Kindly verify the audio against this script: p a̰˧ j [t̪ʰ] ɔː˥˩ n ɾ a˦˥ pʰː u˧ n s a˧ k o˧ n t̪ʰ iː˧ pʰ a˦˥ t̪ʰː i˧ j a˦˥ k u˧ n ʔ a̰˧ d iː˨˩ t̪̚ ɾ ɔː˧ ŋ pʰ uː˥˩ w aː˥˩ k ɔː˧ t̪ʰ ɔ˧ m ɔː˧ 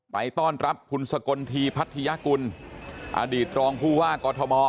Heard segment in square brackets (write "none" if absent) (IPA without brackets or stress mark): t̪